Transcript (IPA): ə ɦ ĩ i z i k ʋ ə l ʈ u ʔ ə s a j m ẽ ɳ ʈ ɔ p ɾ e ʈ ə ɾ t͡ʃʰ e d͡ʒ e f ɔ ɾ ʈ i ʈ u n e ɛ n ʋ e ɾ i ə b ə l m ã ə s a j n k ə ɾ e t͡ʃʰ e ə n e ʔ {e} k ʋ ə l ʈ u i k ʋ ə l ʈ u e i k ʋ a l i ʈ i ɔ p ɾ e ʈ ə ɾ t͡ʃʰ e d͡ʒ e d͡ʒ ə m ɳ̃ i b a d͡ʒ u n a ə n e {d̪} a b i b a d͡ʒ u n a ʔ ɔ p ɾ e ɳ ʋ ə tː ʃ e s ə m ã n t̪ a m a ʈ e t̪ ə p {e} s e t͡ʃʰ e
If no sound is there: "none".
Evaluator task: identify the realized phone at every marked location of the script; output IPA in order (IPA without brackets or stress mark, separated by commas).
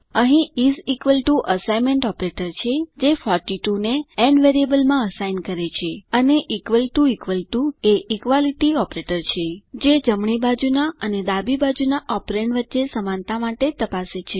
i, d̪, a